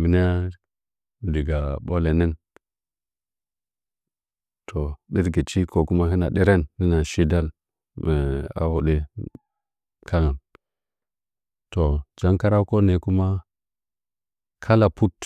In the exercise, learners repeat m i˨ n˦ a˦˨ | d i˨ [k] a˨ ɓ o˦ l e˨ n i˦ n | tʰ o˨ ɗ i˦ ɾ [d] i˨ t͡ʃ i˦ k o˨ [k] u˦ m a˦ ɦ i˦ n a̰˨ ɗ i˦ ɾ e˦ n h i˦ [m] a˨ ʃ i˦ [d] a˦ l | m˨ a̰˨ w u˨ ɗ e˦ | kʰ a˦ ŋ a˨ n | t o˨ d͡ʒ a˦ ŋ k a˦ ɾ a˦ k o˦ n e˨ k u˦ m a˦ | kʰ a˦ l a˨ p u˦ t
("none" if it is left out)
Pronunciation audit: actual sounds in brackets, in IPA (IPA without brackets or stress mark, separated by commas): ɡ, ɡ, k, n, d